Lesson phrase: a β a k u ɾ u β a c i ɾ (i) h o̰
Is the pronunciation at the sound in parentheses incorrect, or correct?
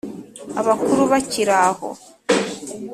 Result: incorrect